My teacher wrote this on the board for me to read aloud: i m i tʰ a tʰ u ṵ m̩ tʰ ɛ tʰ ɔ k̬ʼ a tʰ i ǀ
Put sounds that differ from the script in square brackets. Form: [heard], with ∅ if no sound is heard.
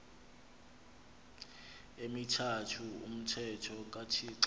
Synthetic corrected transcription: [e] m i tʰ a tʰ u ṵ m̩ tʰ ɛ tʰ ɔ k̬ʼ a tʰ i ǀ

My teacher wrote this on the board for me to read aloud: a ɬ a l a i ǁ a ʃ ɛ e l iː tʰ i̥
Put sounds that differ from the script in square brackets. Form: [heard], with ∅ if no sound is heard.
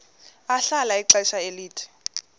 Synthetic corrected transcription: a ɬ a l a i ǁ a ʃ [a] e l iː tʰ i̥

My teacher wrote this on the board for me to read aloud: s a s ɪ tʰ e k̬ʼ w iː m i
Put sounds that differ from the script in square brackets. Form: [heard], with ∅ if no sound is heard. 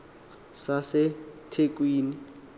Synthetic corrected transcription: s a s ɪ tʰ e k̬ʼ w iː [n] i

